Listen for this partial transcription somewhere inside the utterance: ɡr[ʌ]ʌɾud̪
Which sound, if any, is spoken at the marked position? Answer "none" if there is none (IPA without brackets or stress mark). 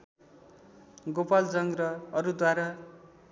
ʌ